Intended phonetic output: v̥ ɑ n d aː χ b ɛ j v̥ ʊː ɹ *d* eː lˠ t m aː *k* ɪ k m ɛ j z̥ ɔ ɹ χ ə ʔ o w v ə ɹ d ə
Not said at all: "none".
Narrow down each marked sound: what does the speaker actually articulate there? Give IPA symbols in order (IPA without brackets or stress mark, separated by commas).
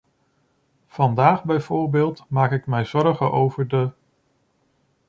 b, k